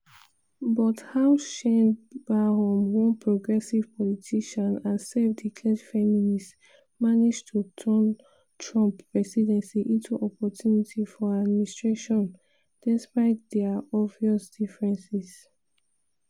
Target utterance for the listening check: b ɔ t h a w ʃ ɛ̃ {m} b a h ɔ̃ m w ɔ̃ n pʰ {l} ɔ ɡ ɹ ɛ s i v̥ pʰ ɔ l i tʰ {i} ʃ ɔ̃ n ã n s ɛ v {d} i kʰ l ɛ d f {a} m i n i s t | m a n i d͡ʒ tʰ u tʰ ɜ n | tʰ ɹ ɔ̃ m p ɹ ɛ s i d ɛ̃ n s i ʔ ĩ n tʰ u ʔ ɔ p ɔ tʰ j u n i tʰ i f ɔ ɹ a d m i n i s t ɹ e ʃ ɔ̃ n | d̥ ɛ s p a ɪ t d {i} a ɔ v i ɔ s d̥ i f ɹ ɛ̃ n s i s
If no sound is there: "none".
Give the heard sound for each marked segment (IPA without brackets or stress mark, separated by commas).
n, ɹ, i, d, ɛ, ɛ